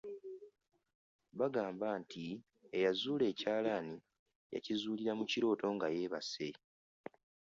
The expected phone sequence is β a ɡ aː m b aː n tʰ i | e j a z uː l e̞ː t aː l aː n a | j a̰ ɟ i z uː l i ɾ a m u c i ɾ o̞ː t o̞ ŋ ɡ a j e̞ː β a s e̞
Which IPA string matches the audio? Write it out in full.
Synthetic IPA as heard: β a ɡ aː m b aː n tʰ i | e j a z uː l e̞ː c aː l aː n i | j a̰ c i z uː l i ɾ a m u c i ɾ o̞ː t o̞ ŋ ɡ a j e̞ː β a s e̞